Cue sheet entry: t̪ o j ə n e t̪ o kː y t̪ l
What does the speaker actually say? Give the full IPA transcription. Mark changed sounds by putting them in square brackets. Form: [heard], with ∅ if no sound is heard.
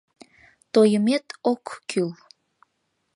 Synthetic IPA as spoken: t̪ o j ə [m] e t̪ o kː y [∅] l